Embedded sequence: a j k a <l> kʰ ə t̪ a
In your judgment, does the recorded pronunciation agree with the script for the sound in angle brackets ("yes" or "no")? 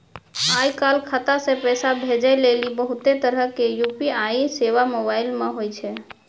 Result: yes